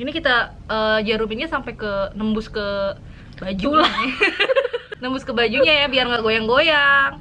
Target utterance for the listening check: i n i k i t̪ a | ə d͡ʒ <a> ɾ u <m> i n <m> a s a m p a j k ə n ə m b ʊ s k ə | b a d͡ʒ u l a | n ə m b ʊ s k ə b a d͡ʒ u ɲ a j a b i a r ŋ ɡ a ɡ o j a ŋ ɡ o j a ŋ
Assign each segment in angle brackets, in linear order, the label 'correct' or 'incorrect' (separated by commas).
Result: correct, correct, incorrect